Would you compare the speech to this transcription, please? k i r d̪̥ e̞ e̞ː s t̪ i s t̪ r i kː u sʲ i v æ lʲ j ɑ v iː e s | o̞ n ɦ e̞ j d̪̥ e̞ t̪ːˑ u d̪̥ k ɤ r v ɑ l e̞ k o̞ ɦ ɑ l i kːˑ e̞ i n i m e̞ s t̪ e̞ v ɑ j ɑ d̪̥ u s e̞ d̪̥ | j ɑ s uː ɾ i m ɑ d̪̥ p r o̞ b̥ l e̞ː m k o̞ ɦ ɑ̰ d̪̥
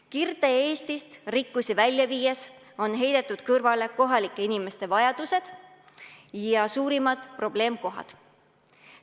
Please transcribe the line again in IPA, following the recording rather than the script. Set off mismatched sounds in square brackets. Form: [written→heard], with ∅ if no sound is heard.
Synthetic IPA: k i r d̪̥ e̞ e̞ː s t̪ i s t̪ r i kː u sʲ i v æ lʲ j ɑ v iː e s | o̞ n ɦ e̞ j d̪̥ e̞ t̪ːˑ u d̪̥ k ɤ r v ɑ l e̞ k o̞ ɦ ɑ l i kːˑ e̞ i n i m e̞ s t̪ e̞ v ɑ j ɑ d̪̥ u s e̞ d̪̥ | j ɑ s uː ɾ i m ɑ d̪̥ p r o̞ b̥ l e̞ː m k o̞ ɦ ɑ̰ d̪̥

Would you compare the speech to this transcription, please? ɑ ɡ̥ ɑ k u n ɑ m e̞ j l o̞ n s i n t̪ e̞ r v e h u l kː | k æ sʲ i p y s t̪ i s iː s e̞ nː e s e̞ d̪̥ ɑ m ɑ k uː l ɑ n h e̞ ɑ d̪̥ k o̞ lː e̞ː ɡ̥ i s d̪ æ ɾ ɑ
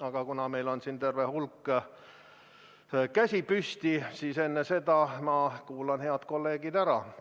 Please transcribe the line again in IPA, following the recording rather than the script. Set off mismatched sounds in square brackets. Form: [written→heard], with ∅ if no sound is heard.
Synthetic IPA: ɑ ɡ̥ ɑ k u n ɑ m e̞ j l o̞ n s i n t̪ e̞ r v e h u l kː | k æ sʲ i p y s t̪ i s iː s e̞ nː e s e̞ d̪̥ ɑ m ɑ k uː l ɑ n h e̞ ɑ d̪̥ k o̞ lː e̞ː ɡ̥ i [s→∅] d̪ æ ɾ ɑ

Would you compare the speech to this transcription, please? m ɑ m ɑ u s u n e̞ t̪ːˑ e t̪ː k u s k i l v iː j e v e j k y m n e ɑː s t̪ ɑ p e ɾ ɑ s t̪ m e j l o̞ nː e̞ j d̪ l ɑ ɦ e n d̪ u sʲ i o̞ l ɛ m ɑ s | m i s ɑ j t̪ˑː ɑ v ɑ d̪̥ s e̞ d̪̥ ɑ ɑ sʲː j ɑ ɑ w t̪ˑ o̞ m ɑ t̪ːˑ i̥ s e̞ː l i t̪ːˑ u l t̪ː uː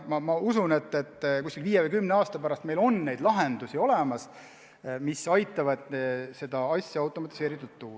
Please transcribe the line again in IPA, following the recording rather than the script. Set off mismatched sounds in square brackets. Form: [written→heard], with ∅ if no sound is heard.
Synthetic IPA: m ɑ m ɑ u s u n e̞ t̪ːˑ e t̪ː k u s k i l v iː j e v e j k y m n e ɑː s t̪ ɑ p [e→æ] ɾ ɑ s t̪ m e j l o̞ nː e̞ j d̪ l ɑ ɦ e n d̪ u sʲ i o̞ l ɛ m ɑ s | m i s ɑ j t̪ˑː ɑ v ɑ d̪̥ s e̞ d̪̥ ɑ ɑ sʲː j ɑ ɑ w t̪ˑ o̞ m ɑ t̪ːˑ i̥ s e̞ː [l→ɾ] i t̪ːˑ u l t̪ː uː

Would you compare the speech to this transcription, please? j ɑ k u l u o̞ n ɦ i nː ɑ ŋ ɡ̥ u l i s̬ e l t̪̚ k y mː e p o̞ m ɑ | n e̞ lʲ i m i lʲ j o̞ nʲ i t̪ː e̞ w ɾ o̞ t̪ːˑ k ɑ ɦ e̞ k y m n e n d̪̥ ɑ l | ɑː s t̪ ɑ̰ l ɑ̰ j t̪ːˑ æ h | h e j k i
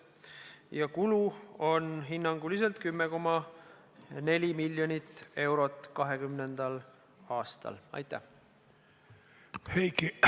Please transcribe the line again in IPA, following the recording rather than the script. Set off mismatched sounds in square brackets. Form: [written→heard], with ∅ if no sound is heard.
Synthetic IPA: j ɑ k u l u o̞ n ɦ i nː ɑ ŋ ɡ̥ u l i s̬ e l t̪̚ k y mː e [p→k] o̞ m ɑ | n e̞ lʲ i m i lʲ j o̞ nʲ i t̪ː e̞ w ɾ o̞ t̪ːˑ k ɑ ɦ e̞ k y m n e n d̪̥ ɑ l | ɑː s t̪ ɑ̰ l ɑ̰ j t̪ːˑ æ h | h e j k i

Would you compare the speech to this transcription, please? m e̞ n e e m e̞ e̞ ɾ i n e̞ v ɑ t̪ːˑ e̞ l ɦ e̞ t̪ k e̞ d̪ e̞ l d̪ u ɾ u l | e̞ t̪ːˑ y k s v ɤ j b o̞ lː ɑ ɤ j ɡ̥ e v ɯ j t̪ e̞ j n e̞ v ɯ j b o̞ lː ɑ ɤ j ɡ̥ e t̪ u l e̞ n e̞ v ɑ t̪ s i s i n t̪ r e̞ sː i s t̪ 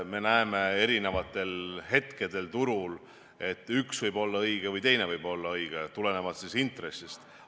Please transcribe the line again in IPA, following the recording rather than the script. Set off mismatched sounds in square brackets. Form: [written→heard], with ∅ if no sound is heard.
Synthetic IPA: m e̞ n [e→æ] e m e̞ e̞ ɾ i n e̞ v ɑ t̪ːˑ e̞ l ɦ e̞ t̪ k e̞ d̪ e̞ l [d̪→t̪] u ɾ u l | e̞ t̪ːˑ y k s v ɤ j b o̞ lː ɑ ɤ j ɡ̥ e v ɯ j t̪ e̞ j n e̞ v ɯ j b o̞ lː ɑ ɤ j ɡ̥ e t̪ u l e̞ n e̞ v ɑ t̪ s i s i n t̪ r e̞ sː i s t̪

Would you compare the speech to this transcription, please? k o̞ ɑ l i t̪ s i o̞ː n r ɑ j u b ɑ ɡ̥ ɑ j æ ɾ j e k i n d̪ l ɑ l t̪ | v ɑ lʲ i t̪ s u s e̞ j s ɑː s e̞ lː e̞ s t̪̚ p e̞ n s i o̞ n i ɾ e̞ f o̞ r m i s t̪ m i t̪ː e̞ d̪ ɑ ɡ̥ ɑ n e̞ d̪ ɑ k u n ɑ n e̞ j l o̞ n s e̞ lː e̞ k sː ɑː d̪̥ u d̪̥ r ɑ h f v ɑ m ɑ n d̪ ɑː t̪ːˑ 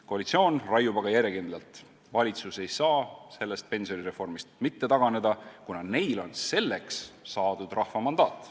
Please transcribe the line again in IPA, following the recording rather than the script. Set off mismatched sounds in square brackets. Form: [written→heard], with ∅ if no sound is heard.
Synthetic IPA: k o̞ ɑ l i t̪ s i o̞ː n r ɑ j u b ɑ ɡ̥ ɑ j æ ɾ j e k i n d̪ l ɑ l t̪ | v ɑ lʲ i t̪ s u s e̞ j s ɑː s e̞ lː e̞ s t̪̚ p e̞ n s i o̞ n i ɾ e̞ f o̞ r m i s t̪ m i t̪ː e̞ [d̪→t̪] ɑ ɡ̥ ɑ n e̞ d̪ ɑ k u n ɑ n e̞ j l o̞ n s e̞ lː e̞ k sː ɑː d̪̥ u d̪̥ r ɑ h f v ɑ m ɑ n d̪ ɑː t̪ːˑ

